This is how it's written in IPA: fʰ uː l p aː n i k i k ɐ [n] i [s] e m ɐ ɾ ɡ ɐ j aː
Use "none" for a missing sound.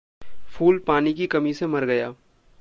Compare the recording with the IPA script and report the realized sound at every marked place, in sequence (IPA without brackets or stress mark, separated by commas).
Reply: m, s